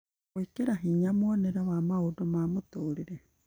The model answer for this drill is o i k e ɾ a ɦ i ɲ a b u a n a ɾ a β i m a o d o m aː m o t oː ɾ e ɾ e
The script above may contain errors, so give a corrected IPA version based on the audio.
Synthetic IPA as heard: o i k e ɾ a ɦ i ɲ a m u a n e ɾ a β a m a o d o m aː m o t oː ɾ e ɾ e